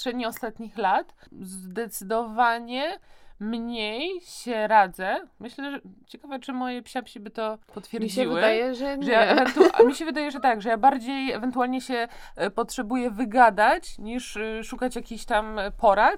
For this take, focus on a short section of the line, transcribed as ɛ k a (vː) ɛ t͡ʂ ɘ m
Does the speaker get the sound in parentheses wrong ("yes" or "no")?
yes